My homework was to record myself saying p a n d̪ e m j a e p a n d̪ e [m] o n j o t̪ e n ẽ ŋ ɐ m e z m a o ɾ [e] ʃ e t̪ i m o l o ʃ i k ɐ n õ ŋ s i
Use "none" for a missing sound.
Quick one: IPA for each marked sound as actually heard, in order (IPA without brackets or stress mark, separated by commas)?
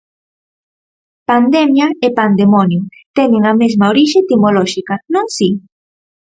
m, i